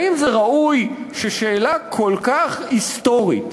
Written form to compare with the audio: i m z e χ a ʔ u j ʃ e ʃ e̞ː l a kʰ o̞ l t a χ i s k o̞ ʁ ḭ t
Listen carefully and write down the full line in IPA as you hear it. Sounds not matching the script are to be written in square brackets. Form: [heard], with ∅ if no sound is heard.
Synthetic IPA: i m z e [ʁ] a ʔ u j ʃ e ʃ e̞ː l a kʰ o̞ l [k] a χ i s [t] o̞ ʁ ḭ t